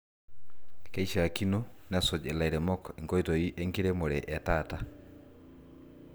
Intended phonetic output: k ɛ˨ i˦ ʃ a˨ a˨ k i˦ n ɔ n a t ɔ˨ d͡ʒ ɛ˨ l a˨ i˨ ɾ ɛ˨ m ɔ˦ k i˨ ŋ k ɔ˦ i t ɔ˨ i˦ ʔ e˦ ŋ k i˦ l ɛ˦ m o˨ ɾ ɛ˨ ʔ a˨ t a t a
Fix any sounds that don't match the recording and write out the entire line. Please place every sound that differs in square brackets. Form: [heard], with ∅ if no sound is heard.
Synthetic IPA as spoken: k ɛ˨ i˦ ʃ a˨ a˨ k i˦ n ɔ n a [s] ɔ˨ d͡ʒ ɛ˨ l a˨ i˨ ɾ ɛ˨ m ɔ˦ k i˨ ŋ k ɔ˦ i t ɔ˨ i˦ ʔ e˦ ŋ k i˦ [ɾ] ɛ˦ m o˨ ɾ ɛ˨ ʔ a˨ t a t a